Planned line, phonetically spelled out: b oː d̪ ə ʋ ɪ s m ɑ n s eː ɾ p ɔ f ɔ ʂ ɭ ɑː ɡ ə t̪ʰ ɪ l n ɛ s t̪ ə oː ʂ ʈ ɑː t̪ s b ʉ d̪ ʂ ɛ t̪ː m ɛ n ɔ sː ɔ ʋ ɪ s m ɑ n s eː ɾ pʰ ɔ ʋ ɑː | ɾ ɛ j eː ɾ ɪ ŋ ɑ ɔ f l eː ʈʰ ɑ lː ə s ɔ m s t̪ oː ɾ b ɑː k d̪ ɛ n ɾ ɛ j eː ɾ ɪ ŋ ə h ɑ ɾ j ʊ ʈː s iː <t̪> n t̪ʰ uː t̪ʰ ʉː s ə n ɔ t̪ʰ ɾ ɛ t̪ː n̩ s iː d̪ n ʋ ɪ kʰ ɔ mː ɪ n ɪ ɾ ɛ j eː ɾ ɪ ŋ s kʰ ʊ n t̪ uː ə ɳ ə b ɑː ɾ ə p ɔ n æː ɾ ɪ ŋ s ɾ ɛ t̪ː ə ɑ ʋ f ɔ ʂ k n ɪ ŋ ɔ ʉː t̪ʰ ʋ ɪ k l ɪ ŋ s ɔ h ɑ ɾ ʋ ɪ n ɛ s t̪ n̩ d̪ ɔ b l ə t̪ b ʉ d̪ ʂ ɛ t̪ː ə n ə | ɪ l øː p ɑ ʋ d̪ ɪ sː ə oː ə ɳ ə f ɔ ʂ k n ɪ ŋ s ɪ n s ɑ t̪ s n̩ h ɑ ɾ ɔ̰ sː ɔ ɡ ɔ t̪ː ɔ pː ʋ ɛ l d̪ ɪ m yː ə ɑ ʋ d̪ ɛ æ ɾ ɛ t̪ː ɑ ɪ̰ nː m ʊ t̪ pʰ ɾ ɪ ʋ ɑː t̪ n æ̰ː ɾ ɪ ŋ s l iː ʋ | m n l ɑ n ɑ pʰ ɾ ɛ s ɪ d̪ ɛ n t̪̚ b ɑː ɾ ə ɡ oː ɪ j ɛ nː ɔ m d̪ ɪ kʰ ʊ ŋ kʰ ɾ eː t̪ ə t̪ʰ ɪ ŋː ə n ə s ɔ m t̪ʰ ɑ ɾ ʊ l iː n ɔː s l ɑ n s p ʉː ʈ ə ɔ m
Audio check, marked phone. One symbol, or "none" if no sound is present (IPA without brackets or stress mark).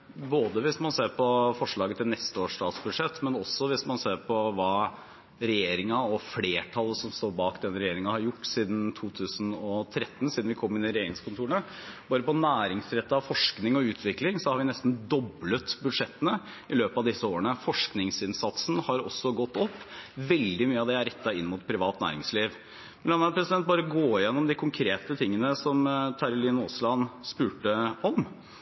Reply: d̪